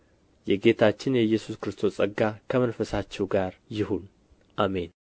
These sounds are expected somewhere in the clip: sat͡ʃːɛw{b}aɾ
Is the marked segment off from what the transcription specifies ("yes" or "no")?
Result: yes